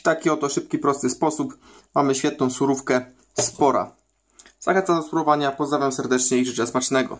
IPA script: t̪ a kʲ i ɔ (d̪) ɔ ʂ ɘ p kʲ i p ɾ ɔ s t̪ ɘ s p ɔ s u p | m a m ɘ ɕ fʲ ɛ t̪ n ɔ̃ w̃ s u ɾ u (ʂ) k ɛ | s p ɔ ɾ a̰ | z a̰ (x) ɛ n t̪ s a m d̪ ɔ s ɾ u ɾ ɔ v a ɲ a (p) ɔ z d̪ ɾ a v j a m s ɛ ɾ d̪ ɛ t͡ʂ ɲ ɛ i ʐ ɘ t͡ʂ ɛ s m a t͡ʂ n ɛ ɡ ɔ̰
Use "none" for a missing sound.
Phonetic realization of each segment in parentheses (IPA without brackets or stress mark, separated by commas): t̪, f, x, p